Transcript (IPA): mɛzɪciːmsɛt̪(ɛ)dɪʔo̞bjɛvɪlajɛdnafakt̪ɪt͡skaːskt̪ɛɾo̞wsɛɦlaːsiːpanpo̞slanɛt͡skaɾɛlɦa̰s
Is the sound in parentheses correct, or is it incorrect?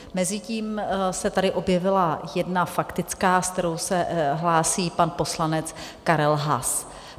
incorrect